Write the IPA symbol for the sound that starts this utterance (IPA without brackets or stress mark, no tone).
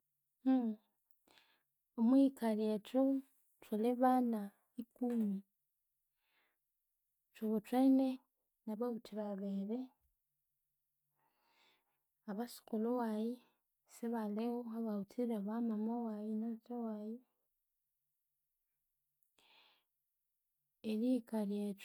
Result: o